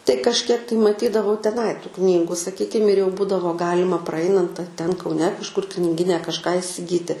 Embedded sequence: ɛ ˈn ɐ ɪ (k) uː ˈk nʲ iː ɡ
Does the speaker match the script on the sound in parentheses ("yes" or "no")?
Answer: no